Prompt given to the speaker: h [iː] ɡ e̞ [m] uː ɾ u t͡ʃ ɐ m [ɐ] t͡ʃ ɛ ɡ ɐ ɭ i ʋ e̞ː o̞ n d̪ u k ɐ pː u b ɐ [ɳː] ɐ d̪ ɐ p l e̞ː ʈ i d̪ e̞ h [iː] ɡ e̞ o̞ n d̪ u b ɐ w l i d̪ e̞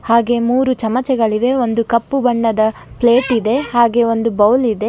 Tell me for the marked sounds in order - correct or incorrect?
incorrect, correct, correct, correct, incorrect

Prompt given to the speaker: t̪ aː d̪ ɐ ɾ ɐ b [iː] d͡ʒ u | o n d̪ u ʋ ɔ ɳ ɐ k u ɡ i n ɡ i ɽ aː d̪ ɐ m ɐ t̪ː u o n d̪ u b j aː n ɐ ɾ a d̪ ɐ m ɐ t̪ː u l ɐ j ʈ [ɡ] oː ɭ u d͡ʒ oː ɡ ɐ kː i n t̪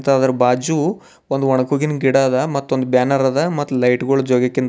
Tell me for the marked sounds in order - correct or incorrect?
incorrect, correct

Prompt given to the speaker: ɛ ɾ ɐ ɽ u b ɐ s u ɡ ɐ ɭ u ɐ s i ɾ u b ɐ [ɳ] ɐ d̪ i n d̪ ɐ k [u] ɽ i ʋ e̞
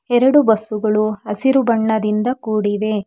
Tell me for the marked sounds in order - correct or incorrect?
incorrect, incorrect

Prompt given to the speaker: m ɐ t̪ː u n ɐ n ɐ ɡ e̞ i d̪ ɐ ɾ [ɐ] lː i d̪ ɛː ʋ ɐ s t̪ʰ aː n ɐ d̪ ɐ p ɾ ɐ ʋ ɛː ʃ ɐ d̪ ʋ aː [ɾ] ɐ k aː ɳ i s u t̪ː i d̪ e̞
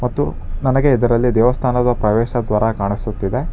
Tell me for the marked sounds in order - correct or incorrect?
correct, correct

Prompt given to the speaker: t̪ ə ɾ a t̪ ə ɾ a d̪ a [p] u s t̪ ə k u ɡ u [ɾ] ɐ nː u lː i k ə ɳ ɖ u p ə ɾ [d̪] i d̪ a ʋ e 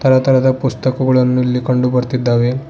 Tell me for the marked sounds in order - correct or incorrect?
correct, incorrect, incorrect

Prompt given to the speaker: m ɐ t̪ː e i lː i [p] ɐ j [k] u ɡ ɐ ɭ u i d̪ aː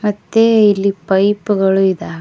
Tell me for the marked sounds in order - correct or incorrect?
correct, incorrect

